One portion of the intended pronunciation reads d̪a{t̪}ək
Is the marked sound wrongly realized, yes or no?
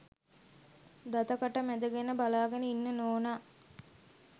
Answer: no